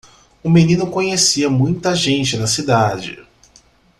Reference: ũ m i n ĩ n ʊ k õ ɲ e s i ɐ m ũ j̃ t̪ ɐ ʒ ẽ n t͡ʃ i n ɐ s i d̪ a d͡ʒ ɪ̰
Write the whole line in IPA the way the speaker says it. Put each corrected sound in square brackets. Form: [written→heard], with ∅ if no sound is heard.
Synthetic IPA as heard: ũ m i n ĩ n ʊ k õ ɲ e s i ɐ m ũ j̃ t̪ ɐ ʒ ẽ n t͡ʃ [i→ɪ] n ɐ s i d̪ a d͡ʒ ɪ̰